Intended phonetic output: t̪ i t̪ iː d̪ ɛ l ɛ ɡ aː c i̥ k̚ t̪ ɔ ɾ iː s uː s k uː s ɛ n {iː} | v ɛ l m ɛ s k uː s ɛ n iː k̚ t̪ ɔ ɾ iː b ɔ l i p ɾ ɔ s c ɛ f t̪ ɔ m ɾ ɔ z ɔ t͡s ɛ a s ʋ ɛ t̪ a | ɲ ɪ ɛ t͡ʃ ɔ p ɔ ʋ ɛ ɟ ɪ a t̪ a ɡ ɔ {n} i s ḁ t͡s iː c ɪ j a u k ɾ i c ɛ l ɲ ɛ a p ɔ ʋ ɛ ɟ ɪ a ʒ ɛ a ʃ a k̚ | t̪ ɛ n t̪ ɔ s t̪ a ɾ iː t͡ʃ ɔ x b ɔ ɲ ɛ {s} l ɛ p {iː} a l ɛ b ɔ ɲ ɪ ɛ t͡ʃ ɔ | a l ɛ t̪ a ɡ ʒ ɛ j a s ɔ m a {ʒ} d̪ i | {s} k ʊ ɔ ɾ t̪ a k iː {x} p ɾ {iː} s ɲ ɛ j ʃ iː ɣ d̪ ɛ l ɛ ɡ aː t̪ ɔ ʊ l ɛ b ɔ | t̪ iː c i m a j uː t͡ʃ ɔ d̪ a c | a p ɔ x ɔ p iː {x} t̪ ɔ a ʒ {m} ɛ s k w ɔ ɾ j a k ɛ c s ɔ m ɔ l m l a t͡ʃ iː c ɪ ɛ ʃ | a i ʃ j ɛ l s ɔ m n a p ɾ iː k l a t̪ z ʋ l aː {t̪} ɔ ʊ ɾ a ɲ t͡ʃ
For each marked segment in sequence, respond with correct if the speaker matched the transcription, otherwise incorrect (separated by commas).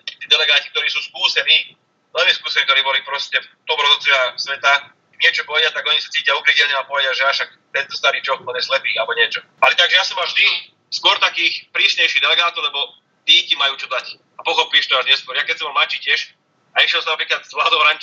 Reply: correct, incorrect, correct, correct, correct, correct, correct, correct, incorrect, incorrect, incorrect